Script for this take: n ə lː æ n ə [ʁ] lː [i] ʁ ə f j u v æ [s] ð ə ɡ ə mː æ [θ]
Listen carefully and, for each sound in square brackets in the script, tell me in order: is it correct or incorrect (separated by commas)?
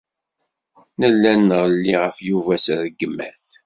correct, correct, correct, correct